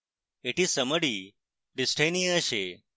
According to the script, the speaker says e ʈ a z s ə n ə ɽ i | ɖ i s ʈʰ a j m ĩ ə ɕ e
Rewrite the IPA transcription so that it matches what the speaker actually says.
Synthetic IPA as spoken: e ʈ i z s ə m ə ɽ i | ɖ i s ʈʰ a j n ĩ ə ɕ e